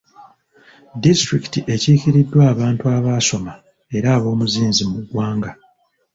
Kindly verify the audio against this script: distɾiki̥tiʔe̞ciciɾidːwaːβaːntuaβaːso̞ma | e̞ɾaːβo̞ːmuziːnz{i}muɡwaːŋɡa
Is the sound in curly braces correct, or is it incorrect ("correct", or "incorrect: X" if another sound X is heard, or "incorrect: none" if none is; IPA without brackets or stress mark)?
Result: correct